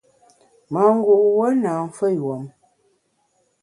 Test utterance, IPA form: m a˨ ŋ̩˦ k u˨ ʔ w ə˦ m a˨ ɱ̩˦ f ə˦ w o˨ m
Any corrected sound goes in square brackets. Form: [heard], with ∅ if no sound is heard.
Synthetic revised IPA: m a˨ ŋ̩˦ [ɡ] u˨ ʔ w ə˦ [n] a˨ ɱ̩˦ f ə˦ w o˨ m